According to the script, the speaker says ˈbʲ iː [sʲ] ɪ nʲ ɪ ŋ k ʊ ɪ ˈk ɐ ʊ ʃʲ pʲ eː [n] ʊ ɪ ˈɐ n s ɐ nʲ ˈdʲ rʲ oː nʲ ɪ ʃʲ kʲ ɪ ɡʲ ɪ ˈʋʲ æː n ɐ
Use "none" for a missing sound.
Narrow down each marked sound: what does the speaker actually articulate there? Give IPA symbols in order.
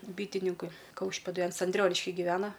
tʲ, d

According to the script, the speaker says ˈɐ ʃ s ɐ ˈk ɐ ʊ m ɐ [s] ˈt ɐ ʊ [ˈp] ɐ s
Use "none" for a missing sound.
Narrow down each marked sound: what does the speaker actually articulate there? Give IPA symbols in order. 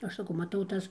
none, t

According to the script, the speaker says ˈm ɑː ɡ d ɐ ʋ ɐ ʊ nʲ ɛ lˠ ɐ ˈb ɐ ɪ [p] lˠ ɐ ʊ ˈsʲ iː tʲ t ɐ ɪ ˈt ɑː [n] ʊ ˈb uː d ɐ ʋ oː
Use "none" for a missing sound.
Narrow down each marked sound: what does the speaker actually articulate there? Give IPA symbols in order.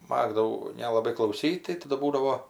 k, d

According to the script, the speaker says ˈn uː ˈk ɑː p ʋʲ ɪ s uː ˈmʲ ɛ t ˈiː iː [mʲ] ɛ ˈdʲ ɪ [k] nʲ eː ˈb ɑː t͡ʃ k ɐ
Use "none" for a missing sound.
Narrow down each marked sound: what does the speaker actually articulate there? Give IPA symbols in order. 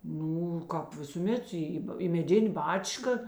mʲ, none

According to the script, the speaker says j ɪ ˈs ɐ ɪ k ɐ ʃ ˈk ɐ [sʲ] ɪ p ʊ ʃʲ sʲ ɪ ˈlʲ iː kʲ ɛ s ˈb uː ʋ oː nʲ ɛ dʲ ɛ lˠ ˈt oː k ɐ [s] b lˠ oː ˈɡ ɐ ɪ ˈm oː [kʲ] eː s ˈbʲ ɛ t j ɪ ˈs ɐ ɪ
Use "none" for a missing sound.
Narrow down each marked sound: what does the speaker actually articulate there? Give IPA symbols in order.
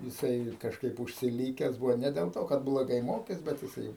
none, t, kʲ

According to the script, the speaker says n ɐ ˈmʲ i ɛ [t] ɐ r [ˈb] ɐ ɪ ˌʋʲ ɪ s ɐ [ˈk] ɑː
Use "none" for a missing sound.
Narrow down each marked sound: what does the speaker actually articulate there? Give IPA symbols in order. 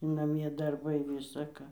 d, b, k

